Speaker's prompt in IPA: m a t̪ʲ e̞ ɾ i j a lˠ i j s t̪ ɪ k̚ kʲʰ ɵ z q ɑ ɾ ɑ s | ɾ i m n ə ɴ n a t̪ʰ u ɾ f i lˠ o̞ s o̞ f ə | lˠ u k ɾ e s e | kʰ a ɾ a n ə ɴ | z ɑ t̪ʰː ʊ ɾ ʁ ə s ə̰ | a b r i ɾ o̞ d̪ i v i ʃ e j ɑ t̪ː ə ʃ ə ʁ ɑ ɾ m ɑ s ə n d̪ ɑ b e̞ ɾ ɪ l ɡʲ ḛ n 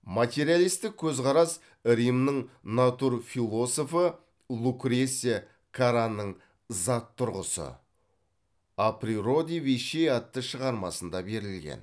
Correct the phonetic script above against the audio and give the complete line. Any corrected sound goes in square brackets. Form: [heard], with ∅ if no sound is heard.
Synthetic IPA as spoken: m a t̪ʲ e̞ ɾ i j a lˠ i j s t̪ ɪ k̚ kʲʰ ɵ z q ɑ ɾ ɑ s | ɾ i m n ə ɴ n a [t̪] u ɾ f i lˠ o̞ s o̞ f ə | lˠ u k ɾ e s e | kʰ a ɾ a n ə ɴ | z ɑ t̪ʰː ʊ ɾ ʁ ə s ə̰ | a [p] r i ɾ o̞ d̪ i v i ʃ e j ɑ t̪ː ə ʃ ə ʁ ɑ ɾ m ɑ s ə n d̪ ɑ b e̞ ɾ ɪ l ɡʲ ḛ n

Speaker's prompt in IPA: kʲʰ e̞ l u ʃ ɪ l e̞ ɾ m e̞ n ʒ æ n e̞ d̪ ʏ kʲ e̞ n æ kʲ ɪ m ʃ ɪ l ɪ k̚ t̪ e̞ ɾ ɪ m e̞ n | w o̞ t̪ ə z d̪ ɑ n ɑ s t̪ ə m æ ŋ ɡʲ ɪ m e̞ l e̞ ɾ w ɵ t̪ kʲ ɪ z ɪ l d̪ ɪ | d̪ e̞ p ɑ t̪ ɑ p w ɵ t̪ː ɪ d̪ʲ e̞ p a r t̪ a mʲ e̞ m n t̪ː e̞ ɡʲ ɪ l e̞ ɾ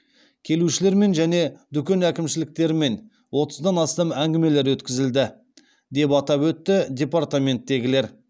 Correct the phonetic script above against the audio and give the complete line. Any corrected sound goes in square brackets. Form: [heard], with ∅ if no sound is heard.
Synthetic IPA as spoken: kʲʰ e̞ l u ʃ ɪ l e̞ ɾ m e̞ n ʒ æ n e̞ d̪ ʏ kʲ e̞ n æ kʲ ɪ m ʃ ɪ l ɪ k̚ t̪ e̞ ɾ ɪ m e̞ n | w o̞ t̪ ə z d̪ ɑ n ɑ s t̪ [ɑ] m æ ŋ ɡʲ ɪ m e̞ l e̞ ɾ w ɵ t̪ kʲ ɪ z ɪ l d̪ ɪ | d̪ e̞ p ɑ t̪ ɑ p w ɵ t̪ː ɪ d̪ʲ e̞ p a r t̪ a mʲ e̞ [∅] n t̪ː e̞ ɡʲ ɪ l e̞ ɾ

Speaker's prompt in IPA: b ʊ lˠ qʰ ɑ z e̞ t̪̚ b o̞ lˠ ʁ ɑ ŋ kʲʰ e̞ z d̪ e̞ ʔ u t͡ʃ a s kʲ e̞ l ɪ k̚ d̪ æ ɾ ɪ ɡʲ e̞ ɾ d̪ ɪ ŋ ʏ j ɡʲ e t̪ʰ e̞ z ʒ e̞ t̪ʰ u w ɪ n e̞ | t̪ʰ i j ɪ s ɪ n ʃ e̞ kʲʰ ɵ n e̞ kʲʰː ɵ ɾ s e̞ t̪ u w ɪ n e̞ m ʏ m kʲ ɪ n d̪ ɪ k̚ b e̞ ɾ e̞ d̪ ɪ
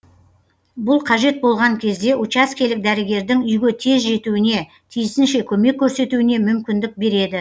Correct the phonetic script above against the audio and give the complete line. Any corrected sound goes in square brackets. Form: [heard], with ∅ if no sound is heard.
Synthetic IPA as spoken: b ʊ lˠ qʰ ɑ [ʒ] e̞ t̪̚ b o̞ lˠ ʁ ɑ ŋ kʲʰ e̞ z d̪ e̞ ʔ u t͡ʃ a s kʲ e̞ l ɪ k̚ d̪ æ ɾ ɪ ɡʲ e̞ ɾ d̪ ɪ ŋ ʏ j ɡʲ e t̪ʰ e̞ z ʒ e̞ [t̪] u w ɪ n e̞ | t̪ʰ i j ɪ s ɪ n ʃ e̞ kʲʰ ɵ [m] e̞ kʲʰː ɵ ɾ s e̞ t̪ u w ɪ n e̞ m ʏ m kʲ ɪ n d̪ ɪ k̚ b e̞ ɾ e̞ d̪ ɪ

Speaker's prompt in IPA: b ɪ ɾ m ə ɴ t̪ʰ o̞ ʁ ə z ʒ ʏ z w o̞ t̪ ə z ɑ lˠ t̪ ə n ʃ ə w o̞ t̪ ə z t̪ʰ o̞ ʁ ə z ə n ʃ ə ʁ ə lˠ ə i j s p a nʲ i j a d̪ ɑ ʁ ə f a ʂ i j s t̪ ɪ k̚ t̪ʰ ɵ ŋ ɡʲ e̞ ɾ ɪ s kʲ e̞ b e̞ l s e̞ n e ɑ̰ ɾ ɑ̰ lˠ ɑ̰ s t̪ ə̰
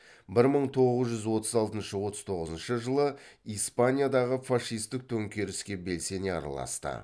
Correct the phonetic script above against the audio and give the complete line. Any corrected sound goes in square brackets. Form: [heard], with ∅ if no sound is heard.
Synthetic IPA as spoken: b ɪ ɾ m ə ɴ t̪ʰ o̞ ʁ ə z ʒ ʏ z w o̞ t̪ ə z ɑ lˠ t̪ ə n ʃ ə w o̞ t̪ ə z t̪ʰ o̞ ʁ ə z ə n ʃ ə [ʒ] ə lˠ ə i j s p a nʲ i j a d̪ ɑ ʁ ə f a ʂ i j s t̪ ɪ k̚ t̪ʰ ɵ ŋ [kʲ] e̞ ɾ ɪ s kʲ e̞ b e̞ l s e̞ n e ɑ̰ ɾ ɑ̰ lˠ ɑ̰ s t̪ ə̰

